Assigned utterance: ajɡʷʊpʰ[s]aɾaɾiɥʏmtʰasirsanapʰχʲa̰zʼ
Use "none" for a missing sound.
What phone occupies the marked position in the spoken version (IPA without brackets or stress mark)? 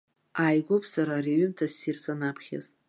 s